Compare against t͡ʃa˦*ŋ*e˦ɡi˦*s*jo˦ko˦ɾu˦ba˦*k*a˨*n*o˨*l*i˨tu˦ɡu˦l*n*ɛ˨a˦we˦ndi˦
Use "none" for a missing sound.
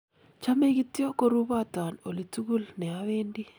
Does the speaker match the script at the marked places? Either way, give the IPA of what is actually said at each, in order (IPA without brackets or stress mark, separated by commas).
m, t, t, n, l, n